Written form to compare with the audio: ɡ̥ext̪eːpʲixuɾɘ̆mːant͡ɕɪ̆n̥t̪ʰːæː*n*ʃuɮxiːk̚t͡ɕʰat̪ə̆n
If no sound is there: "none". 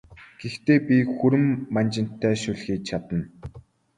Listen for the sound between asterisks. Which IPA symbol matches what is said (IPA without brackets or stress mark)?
none